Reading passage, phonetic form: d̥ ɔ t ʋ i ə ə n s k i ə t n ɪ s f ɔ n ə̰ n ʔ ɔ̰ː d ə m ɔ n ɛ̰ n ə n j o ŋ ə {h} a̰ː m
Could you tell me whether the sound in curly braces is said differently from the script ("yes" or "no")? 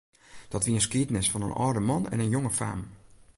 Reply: yes